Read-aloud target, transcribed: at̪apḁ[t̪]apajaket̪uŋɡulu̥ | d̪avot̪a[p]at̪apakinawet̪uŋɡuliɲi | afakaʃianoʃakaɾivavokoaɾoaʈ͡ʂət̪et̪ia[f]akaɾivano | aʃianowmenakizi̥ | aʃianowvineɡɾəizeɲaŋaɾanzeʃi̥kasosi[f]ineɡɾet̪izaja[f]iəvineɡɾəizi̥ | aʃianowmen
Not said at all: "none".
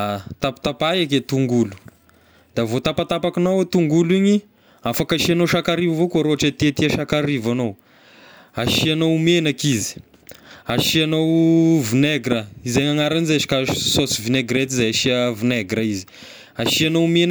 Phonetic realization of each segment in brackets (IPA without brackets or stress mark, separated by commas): t̪, p, ʃ, v, ʃ